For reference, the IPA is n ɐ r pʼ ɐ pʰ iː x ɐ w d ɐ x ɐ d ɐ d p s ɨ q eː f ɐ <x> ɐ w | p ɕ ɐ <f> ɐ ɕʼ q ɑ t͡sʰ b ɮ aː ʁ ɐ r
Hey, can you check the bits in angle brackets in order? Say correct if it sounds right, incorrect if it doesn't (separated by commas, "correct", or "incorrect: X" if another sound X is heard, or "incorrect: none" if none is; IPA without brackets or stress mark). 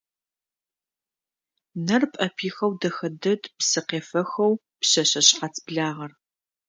correct, incorrect: ɕ